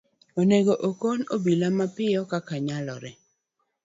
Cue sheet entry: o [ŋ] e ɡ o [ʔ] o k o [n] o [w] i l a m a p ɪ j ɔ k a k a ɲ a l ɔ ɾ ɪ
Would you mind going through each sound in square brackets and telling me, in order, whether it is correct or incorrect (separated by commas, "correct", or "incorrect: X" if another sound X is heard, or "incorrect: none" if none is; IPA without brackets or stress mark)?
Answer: incorrect: n, correct, correct, incorrect: b